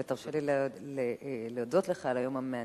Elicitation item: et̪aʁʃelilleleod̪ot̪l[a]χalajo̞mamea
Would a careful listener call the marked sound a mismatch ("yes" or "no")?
yes